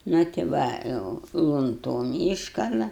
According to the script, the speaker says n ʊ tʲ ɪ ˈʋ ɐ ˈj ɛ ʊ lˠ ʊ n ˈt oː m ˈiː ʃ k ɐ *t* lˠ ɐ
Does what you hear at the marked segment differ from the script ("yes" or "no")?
yes